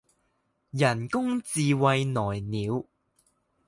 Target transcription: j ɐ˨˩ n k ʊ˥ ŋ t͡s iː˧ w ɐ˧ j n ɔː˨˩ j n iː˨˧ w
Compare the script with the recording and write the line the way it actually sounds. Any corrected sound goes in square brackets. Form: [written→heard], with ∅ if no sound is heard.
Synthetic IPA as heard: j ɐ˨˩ n k ʊ˥ ŋ t͡s iː˧ w ɐ˧ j n ɔː˨˩ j n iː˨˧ w